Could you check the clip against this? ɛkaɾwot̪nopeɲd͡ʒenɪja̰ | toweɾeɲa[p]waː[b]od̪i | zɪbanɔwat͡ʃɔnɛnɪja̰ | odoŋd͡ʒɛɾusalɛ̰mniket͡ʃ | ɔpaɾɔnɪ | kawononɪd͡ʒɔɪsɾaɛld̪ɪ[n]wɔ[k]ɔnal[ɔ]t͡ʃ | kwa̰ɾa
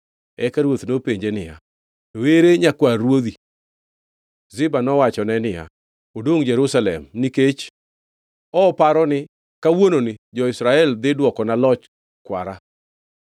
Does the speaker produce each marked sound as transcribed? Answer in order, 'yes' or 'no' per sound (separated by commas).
no, no, no, yes, yes